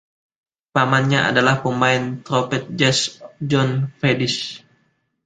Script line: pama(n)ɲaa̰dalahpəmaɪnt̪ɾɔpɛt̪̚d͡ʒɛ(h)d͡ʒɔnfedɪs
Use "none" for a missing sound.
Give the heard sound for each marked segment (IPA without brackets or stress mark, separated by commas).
n, s